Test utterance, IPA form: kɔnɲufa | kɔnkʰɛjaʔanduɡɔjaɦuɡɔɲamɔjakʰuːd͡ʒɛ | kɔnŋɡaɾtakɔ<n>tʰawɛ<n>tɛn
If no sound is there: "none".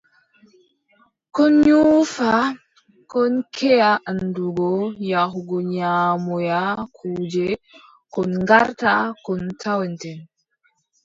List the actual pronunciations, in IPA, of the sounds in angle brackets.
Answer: n, n

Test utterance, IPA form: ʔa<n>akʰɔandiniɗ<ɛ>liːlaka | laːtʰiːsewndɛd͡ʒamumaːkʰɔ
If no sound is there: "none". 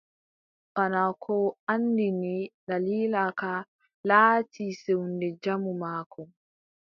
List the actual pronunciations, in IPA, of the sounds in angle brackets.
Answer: n, a

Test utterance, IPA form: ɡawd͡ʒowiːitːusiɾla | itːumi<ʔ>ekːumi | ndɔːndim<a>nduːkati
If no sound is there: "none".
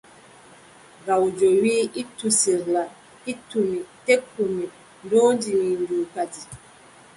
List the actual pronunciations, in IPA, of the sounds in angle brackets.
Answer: t, i

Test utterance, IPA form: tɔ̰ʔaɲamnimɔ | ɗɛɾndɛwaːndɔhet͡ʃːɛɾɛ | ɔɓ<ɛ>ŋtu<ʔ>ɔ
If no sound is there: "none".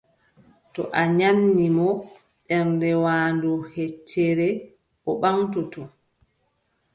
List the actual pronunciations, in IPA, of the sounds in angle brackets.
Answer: a, t

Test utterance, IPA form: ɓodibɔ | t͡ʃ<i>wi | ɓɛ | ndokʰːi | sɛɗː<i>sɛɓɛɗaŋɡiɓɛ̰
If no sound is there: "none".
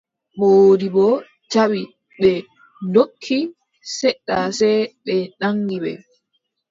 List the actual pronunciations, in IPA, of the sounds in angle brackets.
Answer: a, a

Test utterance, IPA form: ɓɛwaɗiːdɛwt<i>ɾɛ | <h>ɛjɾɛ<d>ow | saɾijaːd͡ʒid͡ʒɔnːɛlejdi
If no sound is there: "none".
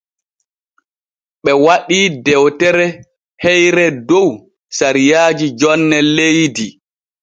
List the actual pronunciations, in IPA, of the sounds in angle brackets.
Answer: ɛ, h, d

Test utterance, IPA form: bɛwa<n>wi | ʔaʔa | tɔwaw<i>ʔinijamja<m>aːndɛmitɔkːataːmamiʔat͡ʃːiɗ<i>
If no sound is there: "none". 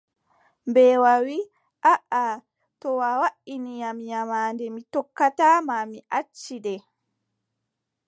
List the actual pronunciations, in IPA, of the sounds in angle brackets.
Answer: none, a, m, ɛ

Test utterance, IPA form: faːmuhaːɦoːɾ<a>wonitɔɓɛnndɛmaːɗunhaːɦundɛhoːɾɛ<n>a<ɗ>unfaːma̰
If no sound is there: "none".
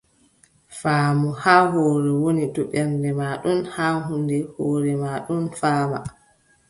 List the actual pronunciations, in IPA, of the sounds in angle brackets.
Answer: ɛ, m, ɗ

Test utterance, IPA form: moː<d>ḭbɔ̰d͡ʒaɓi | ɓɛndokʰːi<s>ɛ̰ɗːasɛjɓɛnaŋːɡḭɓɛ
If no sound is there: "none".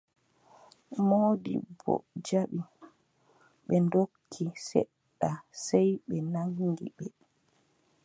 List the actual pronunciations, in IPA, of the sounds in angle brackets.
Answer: d, s

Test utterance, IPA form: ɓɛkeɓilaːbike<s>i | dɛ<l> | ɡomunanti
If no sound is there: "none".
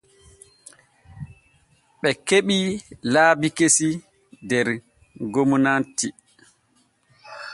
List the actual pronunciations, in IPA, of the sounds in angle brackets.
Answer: s, ɾ

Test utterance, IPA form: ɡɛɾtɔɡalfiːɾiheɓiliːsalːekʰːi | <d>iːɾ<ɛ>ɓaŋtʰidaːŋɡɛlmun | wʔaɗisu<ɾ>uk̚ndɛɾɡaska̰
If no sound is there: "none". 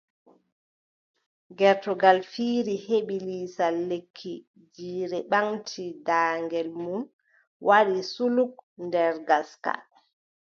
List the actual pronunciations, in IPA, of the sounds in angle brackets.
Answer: d͡ʒ, ɛ, l

